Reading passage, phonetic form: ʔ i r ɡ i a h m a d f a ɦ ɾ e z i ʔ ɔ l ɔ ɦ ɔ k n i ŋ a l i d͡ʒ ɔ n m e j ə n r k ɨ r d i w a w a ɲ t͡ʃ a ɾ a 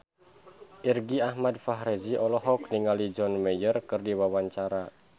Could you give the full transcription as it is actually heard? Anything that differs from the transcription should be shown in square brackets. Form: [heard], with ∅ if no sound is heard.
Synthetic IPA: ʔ i r ɡ i a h m a d f a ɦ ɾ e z i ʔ ɔ l ɔ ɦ ɔ k n i ŋ a l i d͡ʒ ɔ n m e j ə [∅] r k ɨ r d i w a w a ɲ t͡ʃ a ɾ a